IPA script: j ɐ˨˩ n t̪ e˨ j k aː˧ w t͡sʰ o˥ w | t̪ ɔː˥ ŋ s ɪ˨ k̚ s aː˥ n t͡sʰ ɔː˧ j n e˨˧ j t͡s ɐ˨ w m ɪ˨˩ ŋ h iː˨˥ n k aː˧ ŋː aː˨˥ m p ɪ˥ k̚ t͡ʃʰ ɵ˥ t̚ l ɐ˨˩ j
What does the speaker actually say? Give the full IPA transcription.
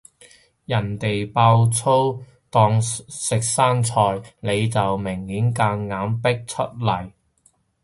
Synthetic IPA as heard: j ɐ˨˩ n t̪ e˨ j p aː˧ w t͡sʰ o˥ w | t̪ ɔː˧ ŋ s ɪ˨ k̚ s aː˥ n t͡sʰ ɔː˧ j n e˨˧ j t͡s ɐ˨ w m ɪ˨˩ ŋ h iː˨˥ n k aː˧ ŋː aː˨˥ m p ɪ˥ k̚ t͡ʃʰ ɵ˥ t̚ l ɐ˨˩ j